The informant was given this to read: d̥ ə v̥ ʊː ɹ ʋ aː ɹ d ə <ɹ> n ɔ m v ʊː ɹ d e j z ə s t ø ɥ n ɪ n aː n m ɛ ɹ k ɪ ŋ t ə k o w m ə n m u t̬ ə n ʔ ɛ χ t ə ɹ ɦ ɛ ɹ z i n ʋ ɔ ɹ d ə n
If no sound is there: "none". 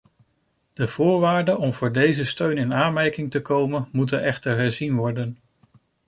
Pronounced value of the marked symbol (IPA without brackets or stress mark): none